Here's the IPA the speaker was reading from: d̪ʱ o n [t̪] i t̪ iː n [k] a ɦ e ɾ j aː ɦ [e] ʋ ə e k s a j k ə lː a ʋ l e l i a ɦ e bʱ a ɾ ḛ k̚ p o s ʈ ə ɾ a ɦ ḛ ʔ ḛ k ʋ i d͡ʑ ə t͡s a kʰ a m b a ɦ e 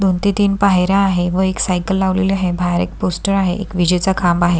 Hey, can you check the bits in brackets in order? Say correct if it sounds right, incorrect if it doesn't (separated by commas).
correct, incorrect, correct